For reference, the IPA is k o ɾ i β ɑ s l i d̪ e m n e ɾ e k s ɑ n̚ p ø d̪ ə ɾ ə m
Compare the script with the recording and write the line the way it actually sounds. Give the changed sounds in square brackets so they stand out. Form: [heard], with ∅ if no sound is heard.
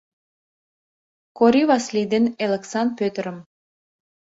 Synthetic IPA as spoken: k o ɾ i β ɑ s l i d̪ e [∅] n e [l] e k s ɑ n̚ p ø [t̪] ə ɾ ə m